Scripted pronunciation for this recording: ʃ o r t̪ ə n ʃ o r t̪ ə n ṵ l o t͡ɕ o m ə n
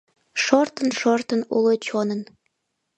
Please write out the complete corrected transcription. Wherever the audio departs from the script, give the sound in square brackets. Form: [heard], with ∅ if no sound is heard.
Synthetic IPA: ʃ o r t̪ ə n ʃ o r t̪ ə n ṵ l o t͡ɕ o [n] ə n